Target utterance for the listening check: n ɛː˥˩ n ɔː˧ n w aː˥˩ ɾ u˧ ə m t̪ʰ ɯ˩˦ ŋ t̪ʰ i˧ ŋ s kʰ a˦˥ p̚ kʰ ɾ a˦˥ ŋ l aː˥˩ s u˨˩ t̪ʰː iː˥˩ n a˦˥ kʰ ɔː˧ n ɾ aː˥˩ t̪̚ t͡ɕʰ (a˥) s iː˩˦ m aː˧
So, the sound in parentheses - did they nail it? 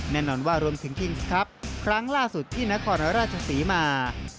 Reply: no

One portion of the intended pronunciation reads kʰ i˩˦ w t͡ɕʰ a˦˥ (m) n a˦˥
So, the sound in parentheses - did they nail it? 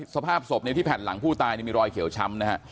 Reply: yes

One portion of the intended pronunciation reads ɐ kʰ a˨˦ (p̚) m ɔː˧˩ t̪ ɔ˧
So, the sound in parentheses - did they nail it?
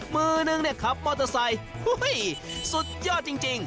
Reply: yes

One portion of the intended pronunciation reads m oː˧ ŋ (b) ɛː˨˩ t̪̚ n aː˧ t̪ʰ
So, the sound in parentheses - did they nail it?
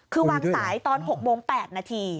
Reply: no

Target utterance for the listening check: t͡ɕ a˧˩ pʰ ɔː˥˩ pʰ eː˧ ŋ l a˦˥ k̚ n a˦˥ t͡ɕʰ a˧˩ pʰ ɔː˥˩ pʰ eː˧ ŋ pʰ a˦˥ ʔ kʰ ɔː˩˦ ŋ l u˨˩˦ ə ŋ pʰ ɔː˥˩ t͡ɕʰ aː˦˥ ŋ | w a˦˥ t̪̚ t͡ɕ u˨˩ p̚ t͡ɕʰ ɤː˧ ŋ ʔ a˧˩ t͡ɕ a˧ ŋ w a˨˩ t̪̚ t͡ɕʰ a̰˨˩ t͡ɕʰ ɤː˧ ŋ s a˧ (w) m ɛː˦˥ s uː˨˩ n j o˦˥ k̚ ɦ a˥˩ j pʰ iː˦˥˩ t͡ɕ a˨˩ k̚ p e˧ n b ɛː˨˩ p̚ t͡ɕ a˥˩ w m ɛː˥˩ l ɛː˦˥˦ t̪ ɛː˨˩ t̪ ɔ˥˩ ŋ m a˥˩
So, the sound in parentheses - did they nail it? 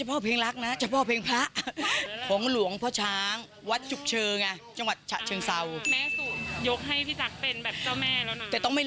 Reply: yes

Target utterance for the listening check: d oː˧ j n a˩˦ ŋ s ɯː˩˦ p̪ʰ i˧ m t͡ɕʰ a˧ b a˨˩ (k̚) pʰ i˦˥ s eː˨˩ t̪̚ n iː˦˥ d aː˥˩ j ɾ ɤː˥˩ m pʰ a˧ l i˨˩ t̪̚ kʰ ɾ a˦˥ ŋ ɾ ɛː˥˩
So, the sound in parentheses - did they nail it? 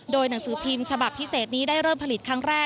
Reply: no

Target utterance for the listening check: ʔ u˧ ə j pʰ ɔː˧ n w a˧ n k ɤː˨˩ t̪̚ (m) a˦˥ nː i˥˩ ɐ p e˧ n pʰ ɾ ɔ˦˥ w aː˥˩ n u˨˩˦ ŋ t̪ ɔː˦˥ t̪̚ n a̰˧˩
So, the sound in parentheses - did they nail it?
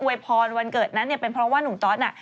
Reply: no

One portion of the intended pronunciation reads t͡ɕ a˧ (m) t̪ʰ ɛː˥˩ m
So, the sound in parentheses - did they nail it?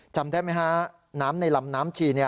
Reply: yes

